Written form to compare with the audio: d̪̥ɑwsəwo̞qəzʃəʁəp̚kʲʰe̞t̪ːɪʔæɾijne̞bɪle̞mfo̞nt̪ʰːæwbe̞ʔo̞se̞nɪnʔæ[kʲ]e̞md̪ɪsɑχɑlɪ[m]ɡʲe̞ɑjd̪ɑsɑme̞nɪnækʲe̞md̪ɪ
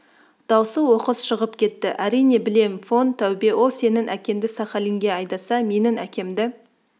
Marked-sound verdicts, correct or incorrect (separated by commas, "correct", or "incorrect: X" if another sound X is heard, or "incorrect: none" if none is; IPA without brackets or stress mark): correct, incorrect: ŋ